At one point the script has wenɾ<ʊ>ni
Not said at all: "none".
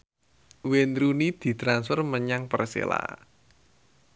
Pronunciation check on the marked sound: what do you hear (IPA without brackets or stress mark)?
u